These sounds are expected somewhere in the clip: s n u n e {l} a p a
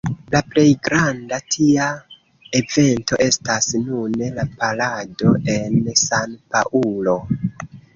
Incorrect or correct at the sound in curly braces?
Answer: correct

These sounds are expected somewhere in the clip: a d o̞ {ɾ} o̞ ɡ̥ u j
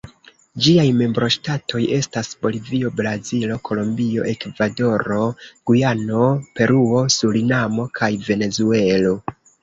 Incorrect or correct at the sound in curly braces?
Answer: correct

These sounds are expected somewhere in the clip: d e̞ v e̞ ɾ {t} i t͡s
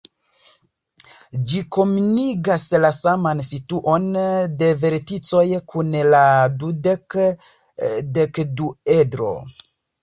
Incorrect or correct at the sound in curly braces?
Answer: correct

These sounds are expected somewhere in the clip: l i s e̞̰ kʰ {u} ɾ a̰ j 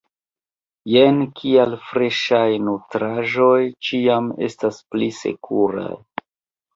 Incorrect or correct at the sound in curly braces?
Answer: correct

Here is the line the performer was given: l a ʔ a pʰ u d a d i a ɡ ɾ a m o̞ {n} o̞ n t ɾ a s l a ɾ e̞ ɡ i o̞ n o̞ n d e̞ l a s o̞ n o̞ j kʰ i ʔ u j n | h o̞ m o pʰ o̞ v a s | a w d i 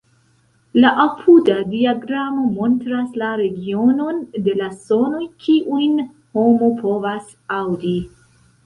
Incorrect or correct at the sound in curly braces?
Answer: incorrect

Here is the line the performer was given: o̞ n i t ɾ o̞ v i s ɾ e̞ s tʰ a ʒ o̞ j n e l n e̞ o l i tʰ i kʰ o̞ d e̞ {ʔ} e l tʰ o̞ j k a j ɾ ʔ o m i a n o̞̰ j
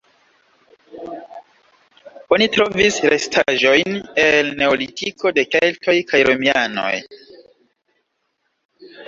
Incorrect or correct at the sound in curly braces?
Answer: incorrect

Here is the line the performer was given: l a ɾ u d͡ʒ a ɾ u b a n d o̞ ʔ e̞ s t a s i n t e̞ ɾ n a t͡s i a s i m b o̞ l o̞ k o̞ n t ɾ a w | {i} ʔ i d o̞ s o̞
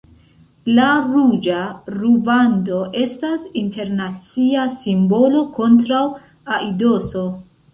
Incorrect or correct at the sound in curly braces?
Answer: incorrect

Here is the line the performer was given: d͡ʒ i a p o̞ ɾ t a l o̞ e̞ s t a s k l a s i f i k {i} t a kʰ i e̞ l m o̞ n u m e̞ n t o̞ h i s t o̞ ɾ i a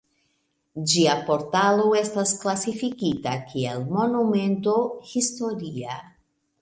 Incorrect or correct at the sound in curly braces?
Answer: correct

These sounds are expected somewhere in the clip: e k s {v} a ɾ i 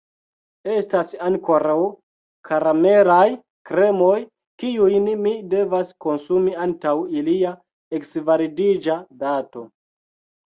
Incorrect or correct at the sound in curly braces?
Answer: correct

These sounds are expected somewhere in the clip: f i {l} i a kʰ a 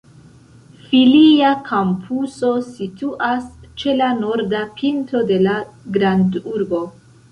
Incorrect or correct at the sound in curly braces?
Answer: correct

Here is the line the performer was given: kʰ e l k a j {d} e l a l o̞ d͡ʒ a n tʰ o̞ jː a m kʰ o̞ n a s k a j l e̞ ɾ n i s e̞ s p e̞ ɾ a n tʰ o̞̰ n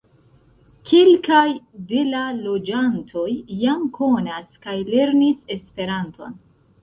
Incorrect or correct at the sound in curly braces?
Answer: correct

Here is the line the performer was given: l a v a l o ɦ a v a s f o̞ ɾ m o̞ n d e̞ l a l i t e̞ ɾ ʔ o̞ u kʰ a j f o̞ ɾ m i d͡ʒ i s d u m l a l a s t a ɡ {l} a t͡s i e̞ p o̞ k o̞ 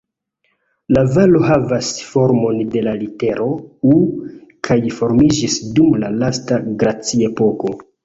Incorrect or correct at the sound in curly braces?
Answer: incorrect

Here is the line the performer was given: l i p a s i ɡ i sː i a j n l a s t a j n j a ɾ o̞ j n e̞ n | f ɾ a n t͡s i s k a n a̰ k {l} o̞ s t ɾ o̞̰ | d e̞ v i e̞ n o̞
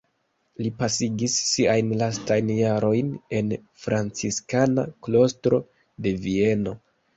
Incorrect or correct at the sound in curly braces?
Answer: correct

